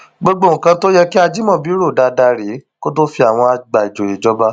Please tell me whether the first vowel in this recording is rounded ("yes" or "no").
yes